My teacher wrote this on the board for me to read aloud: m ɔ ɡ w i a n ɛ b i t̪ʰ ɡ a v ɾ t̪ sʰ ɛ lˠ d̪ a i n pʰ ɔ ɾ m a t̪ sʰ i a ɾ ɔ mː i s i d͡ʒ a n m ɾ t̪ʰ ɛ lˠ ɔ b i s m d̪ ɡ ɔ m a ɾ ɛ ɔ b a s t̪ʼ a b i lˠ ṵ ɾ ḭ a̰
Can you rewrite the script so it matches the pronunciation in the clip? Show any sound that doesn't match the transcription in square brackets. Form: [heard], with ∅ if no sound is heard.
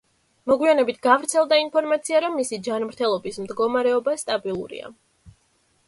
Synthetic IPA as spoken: m ɔ ɡ w i a n ɛ b i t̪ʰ ɡ a v ɾ t̪ sʰ ɛ lˠ d̪ a i n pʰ ɔ ɾ m a t̪ sʰ i a ɾ ɔ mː i s i d͡ʒ a n m ɾ t̪ʰ ɛ lˠ ɔ b i s m d̪ ɡ ɔ m a ɾ ɛ ɔ b a s t̪ʼ a b i lˠ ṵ ɾ ḭ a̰